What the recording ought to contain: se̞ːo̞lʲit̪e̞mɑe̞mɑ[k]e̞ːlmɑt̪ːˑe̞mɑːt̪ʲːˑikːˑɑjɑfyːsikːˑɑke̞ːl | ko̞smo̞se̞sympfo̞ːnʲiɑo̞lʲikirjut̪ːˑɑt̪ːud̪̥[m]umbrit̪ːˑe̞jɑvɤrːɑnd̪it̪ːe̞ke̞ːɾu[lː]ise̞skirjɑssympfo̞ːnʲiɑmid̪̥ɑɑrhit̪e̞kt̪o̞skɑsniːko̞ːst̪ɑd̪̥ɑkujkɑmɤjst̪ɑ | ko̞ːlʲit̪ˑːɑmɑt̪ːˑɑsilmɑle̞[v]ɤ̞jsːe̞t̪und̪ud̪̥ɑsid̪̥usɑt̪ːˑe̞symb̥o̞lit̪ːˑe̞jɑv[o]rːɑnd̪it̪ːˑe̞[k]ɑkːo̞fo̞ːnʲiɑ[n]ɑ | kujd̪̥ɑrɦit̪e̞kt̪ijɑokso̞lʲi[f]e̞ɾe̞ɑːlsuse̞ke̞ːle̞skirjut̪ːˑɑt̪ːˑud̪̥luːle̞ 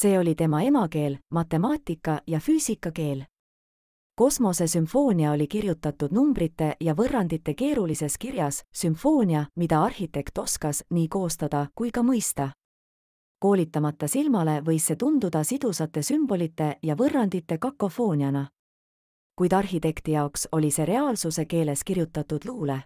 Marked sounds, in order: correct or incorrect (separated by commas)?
correct, incorrect, incorrect, correct, incorrect, correct, correct, incorrect